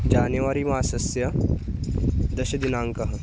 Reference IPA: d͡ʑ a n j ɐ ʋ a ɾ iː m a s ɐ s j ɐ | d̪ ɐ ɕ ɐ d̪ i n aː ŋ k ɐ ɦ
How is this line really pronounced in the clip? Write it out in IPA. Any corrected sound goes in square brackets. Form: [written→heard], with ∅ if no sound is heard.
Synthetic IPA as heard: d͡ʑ a n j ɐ ʋ a ɾ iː m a s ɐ s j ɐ | d̪ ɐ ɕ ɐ d̪ i n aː ŋ k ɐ ɦ